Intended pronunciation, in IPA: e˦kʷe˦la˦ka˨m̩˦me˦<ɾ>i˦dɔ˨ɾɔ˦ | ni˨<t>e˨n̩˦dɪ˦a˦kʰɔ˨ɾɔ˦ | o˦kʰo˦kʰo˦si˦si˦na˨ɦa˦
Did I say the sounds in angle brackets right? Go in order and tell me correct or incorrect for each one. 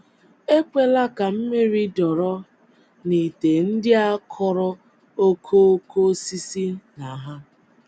correct, correct

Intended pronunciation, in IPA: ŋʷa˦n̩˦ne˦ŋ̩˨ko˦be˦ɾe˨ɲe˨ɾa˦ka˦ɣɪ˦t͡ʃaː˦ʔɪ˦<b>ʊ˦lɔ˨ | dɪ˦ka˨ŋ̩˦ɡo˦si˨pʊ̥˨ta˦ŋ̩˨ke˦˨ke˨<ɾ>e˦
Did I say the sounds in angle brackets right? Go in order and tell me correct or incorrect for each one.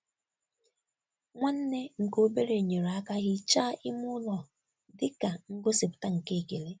incorrect, incorrect

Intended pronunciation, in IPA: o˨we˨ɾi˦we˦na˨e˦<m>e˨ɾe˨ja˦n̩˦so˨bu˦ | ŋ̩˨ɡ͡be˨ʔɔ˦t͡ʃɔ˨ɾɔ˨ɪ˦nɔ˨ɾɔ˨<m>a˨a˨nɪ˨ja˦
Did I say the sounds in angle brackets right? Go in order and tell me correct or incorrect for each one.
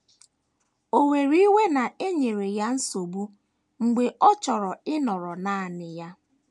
incorrect, incorrect

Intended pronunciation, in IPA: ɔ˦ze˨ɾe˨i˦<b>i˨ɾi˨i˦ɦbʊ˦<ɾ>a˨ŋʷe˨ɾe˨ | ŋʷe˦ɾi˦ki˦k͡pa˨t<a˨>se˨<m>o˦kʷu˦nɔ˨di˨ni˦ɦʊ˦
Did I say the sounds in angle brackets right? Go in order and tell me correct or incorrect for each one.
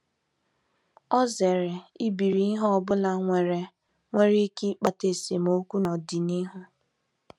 correct, incorrect, incorrect, correct

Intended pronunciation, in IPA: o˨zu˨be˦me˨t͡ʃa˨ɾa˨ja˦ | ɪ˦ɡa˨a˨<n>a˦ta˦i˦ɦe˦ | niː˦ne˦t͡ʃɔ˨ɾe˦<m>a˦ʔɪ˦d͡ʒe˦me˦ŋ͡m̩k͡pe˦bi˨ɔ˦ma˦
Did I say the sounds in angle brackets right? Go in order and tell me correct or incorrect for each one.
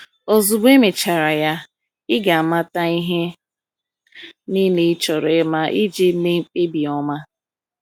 incorrect, correct

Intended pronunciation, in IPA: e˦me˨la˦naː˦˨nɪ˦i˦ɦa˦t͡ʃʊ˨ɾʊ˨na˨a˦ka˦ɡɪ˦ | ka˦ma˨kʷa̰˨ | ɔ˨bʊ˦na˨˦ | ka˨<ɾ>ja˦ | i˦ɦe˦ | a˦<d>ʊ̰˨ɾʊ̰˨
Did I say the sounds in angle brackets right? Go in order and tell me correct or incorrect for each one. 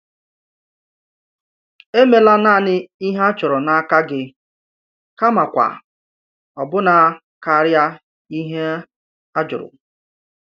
correct, incorrect

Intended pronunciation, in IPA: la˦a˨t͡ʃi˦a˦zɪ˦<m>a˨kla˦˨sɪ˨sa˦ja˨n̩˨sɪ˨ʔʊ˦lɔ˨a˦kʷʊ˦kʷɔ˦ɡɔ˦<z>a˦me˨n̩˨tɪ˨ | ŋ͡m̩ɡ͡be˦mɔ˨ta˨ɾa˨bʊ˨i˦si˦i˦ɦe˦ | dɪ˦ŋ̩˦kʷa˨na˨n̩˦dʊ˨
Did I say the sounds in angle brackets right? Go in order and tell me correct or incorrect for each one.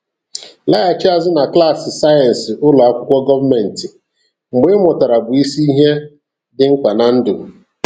incorrect, incorrect

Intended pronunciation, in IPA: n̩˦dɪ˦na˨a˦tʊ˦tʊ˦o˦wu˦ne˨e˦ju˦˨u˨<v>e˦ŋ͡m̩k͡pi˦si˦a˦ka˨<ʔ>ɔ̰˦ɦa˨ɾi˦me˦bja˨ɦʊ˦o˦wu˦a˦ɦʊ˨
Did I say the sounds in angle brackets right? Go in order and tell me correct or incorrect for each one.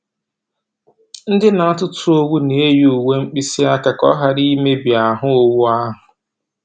incorrect, incorrect

